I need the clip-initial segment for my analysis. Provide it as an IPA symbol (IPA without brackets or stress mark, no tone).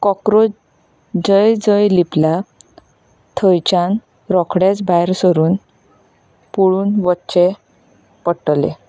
k